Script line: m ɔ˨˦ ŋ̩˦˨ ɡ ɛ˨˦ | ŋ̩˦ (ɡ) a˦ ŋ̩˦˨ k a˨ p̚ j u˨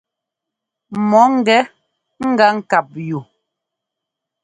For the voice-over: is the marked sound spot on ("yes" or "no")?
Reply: yes